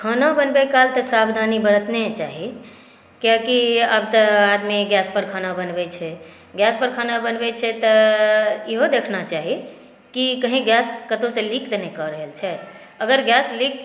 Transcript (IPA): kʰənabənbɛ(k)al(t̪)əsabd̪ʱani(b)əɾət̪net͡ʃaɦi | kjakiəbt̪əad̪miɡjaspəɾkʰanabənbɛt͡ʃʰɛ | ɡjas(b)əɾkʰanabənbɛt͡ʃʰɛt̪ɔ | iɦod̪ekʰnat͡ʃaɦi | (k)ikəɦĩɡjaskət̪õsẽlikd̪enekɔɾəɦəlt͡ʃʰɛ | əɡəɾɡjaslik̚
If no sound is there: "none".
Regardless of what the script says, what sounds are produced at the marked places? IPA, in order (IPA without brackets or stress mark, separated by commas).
k, t̪, b, p, k